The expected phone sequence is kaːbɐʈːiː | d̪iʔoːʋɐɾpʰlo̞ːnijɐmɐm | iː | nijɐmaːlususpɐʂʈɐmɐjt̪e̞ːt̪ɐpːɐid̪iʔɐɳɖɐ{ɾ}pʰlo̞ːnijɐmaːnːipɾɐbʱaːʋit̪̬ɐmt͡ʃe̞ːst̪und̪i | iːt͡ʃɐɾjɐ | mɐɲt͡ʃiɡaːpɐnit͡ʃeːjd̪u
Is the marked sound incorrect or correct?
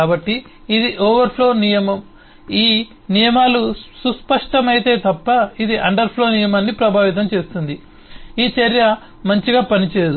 correct